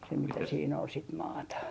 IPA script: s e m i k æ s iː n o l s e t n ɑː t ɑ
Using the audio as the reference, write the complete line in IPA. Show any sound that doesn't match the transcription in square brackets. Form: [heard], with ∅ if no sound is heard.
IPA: s e m i [t] æ s iː n o l s [i] t [m] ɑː t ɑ